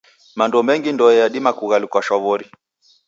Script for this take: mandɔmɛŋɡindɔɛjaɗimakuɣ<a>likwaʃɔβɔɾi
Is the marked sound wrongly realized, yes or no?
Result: no